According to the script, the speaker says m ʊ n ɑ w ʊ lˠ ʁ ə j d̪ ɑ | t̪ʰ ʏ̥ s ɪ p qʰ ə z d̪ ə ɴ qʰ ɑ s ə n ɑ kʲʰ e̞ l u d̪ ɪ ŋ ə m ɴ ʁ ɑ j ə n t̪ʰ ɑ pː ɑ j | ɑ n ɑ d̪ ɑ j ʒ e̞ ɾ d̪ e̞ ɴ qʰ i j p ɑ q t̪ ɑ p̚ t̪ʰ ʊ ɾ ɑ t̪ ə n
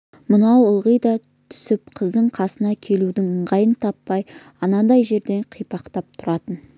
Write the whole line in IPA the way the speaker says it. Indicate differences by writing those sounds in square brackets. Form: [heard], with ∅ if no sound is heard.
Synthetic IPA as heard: m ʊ n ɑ w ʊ lˠ ʁ ə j d̪ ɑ | t̪ʰ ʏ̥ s ɪ p qʰ ə z d̪ ə ɴ qʰ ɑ s ə n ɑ kʲʰ e̞ l u d̪ ɪ ŋ ə [∅] ɴ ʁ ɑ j ə n t̪ʰ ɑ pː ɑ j | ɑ n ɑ d̪ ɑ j ʒ e̞ ɾ d̪ e̞ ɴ qʰ i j p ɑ q t̪ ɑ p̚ t̪ʰ ʊ ɾ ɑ t̪ ə n